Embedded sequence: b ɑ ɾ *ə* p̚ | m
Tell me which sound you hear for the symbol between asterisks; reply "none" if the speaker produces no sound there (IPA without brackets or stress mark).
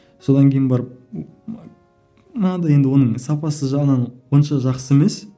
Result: ə